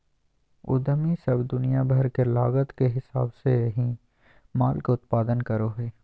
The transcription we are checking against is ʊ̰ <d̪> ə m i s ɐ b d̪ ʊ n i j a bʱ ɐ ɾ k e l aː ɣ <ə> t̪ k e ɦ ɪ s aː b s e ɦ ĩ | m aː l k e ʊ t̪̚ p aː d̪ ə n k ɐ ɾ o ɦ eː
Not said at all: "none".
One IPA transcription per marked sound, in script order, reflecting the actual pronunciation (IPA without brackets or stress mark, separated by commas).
d̪, ə